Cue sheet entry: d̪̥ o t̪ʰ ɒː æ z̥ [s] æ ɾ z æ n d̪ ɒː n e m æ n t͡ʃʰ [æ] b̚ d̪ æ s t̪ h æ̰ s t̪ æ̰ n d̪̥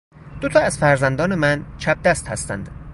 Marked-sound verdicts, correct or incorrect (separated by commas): incorrect, correct